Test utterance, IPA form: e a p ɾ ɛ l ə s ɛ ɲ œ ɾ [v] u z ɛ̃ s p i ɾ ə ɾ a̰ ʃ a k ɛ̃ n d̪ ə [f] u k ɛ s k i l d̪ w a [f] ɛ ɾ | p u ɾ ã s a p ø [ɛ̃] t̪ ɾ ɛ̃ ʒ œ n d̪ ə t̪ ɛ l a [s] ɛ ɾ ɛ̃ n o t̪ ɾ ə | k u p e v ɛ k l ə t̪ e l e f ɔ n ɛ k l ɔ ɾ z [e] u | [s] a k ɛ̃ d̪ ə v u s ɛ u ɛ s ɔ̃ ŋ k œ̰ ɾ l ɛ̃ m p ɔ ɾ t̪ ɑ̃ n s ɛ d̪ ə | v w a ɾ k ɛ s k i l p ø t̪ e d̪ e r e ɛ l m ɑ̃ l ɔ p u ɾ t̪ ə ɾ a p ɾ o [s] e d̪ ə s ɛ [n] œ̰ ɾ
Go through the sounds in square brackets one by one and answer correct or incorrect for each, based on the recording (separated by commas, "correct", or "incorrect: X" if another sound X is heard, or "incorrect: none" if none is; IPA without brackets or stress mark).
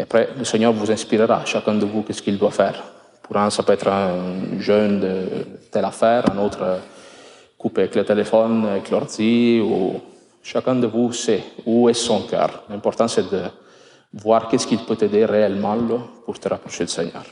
correct, incorrect: v, correct, incorrect: ɛ, incorrect: f, incorrect: i, incorrect: ʃ, incorrect: ʃ, incorrect: ɲ